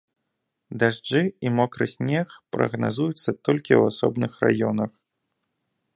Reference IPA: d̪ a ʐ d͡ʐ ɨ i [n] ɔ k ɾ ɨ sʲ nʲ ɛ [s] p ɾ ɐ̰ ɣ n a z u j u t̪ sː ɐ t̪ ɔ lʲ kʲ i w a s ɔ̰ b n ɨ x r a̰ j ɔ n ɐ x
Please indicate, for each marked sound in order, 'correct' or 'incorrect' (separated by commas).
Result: incorrect, incorrect